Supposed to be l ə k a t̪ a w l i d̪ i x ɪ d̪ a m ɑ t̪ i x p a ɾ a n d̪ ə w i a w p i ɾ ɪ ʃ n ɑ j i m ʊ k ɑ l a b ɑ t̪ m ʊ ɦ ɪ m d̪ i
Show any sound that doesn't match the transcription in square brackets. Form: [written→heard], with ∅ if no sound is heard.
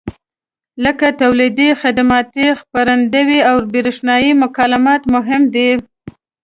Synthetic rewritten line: l ə k a t̪ a w l i d̪ i x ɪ d̪ a m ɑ t̪ i x p a ɾ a n d̪ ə w i a w [p→b] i ɾ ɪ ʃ n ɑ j i m ʊ k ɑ l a [b→m] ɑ t̪ m ʊ ɦ ɪ m d̪ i